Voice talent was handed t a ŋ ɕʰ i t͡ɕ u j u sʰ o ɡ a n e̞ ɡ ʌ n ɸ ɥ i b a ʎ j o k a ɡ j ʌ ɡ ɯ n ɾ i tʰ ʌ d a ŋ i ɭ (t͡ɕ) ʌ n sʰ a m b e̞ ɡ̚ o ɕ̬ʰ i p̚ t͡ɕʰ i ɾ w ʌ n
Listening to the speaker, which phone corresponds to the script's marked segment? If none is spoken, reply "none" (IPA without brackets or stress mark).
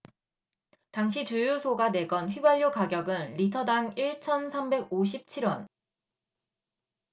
t͡ɕʰ